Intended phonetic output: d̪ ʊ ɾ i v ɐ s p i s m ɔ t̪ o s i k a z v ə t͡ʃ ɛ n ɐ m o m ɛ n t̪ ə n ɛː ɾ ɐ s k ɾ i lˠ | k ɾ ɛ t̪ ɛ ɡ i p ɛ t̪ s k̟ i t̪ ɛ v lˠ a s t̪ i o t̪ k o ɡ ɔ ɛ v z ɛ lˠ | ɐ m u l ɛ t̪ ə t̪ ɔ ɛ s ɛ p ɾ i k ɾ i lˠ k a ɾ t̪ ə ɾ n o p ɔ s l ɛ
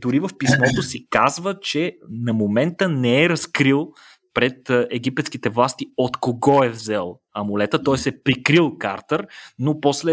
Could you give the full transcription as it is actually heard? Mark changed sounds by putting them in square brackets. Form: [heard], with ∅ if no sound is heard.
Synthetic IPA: d̪ ʊ ɾ i v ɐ [f] p i s m ɔ t̪ o s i k a z v ə t͡ʃ ɛ n ɐ m o m ɛ n t̪ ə n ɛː ɾ ɐ s k ɾ i lˠ | [p] ɾ ɛ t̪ ɛ ɡ i p ɛ t̪ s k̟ i t̪ ɛ v lˠ a s t̪ i o t̪ k o ɡ ɔ ɛ v z ɛ lˠ | ɐ m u l ɛ t̪ ə t̪ ɔ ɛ s ɛ p ɾ i k ɾ i lˠ k a ɾ t̪ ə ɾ n o p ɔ s l ɛ